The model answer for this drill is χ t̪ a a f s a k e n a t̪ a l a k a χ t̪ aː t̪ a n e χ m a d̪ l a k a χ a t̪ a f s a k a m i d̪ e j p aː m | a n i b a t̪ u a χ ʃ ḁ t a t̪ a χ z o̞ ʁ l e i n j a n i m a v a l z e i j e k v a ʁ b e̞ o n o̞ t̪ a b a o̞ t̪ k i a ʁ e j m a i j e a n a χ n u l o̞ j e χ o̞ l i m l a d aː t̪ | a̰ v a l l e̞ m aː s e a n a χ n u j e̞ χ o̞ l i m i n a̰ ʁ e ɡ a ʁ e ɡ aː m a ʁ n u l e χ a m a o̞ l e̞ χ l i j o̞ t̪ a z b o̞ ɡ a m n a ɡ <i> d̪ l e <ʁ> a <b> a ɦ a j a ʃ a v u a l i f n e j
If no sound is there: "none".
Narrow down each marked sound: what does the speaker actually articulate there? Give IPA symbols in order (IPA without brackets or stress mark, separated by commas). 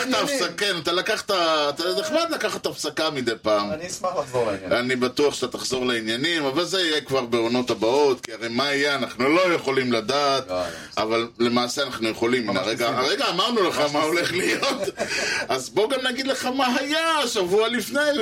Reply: i, χ, m